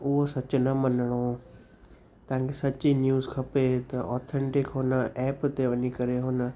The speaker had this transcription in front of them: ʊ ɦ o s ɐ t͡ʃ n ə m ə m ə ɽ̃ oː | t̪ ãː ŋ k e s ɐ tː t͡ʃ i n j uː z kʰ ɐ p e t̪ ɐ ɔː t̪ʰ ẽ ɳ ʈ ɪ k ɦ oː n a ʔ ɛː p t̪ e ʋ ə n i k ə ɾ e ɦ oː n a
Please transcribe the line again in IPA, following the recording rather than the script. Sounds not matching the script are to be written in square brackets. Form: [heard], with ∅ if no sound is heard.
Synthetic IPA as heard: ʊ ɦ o s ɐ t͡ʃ n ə m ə [n] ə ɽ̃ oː | t̪ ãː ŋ k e s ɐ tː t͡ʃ i n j uː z kʰ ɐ p e t̪ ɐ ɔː t̪ʰ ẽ ɳ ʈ ɪ k ɦ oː n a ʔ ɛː p t̪ e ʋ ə n i k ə ɾ e ɦ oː n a

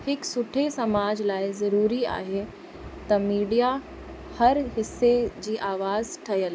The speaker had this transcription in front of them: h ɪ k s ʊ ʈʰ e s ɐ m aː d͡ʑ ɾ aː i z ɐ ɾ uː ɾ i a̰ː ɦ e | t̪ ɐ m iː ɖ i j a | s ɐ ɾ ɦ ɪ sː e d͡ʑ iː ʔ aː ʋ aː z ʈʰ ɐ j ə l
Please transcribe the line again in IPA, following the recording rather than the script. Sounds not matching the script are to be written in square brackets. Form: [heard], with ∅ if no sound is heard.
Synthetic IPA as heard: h ɪ k s ʊ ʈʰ e s ɐ m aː d͡ʑ [l] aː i z ɐ ɾ uː ɾ i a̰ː ɦ e | t̪ ɐ m iː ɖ i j a | [h] ɐ ɾ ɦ ɪ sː e d͡ʑ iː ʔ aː ʋ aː z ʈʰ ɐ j ə l

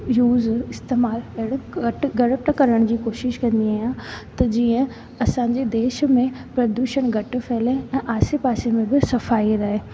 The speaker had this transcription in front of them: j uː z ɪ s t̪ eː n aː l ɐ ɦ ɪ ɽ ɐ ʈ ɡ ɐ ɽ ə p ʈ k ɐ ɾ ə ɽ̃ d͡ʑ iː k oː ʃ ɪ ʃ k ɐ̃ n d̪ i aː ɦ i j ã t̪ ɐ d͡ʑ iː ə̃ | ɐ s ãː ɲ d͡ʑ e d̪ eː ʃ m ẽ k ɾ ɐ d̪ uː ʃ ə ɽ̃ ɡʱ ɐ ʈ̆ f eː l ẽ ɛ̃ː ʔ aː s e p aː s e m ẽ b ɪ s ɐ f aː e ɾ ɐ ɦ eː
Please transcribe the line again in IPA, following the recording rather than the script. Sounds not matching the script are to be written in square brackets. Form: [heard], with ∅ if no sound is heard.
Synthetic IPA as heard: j uː z ɪ s t̪ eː [m] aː l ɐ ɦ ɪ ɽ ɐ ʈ ɡ ɐ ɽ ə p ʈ k ɐ ɾ ə ɽ̃ d͡ʑ iː k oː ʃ ɪ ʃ k ɐ̃ n d̪ i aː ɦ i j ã t̪ ɐ d͡ʑ iː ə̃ | ɐ s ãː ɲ d͡ʑ e d̪ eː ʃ m ẽ [p] ɾ ɐ d̪ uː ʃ ə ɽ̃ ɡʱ ɐ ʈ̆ f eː l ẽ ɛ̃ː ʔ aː s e p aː s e m ẽ b ɪ s ɐ f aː [i] ɾ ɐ ɦ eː

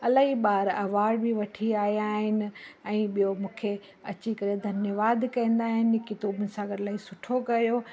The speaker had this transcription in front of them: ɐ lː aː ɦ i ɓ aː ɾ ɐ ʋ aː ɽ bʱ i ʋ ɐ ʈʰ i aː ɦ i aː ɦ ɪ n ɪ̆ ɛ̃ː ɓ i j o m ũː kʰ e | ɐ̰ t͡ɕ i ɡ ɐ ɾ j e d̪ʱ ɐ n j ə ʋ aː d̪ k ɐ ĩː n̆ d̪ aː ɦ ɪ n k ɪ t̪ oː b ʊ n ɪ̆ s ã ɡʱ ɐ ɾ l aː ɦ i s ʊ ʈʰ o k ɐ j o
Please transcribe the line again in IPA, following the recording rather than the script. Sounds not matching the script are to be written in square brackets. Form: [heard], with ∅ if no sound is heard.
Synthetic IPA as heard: ɐ [l] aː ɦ i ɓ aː ɾ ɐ ʋ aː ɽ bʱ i ʋ ɐ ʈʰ i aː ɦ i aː ɦ ɪ n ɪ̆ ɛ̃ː ɓ i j o m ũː kʰ e | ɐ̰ t͡ɕ i [k] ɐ ɾ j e d̪ʱ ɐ n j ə ʋ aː d̪ k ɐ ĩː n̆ d̪ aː ɦ ɪ n k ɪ t̪ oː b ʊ n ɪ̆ s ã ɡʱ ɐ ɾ l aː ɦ i s ʊ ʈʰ o k ɐ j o

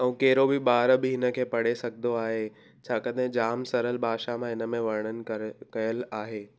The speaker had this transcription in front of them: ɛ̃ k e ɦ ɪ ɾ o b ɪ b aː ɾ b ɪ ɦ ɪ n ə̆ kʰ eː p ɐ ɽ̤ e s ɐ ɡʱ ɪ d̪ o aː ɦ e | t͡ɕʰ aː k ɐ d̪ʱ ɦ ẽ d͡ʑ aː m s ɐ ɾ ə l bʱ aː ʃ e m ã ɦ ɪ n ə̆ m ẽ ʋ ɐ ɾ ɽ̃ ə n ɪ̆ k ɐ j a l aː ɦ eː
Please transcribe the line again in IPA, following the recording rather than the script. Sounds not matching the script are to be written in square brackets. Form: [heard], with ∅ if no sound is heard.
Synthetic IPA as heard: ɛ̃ k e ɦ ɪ ɾ o b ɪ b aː ɾ b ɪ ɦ ɪ n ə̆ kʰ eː p ɐ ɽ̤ e s ɐ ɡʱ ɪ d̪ o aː ɦ e | t͡ɕʰ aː k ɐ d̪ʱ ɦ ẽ d͡ʑ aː m s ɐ ɾ ə l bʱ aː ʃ [a] m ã ɦ ɪ n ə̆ m ẽ ʋ ɐ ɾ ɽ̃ ə n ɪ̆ k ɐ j [ə] l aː ɦ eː

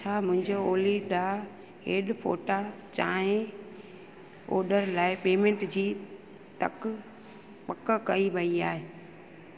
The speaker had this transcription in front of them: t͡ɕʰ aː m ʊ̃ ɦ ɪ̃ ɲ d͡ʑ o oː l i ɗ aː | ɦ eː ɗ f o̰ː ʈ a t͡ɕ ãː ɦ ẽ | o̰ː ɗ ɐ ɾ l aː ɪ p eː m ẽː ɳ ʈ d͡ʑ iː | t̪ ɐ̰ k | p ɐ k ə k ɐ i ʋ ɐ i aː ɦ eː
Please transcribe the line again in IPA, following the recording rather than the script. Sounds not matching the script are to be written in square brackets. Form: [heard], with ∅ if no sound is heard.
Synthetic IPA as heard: t͡ɕʰ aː m ʊ̃ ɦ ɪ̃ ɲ d͡ʑ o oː l i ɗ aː | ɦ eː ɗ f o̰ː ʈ a t͡ɕ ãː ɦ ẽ | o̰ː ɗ [ə] ɾ l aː ɪ p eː m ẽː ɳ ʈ d͡ʑ iː | t̪ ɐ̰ k | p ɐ k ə k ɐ i ʋ ɐ i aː ɦ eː

